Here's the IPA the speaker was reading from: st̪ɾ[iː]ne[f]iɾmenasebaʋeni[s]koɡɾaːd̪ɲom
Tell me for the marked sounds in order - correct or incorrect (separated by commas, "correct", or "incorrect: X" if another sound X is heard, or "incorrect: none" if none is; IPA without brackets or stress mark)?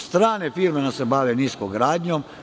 incorrect: aː, correct, correct